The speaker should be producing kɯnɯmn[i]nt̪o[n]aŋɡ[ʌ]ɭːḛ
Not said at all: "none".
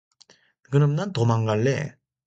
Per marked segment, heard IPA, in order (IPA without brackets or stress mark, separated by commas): a, m, a